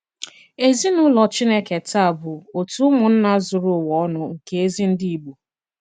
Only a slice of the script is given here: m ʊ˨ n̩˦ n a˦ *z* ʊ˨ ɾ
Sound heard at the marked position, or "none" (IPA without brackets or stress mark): z